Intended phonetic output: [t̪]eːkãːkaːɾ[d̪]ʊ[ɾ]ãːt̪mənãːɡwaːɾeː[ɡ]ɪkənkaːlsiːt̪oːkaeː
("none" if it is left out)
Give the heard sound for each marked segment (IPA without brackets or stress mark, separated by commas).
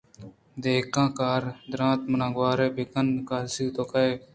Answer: d̪, d̪, ɾ, b